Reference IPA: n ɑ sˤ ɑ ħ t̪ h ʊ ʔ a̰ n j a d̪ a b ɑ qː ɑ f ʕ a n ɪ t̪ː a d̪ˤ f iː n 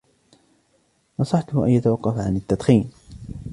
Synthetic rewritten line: n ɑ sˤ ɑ ħ t̪ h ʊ ʔ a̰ n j a t̪ a w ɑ qː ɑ f ʕ a n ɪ t̪ː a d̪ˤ x iː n